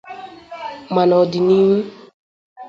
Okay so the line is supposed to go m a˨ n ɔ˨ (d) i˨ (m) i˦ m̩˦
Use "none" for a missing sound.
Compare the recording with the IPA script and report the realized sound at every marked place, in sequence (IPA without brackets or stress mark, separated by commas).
d, n